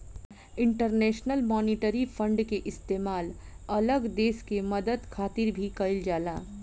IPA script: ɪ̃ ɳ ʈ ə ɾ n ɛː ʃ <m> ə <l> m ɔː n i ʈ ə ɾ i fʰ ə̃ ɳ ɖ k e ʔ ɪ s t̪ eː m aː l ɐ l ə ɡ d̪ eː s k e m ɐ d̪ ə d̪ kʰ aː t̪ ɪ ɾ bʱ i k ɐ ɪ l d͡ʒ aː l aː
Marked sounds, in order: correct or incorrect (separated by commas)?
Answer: incorrect, correct